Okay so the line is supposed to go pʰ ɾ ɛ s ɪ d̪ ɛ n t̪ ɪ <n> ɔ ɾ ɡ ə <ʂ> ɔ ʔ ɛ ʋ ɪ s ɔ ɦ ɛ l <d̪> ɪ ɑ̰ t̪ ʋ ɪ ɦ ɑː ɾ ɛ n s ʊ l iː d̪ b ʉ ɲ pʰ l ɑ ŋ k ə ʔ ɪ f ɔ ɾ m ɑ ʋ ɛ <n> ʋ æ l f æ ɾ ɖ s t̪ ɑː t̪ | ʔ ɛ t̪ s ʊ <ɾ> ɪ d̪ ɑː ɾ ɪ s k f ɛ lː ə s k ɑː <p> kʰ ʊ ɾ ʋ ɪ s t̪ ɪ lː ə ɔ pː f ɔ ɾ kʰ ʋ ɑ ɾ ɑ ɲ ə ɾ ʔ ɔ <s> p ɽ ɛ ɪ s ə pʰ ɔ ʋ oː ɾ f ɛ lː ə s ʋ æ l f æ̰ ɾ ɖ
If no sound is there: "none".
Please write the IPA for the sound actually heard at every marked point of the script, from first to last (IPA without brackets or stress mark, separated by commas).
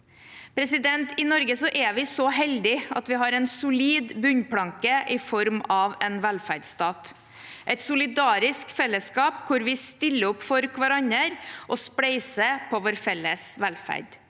n, s, d̪, n, l, p, s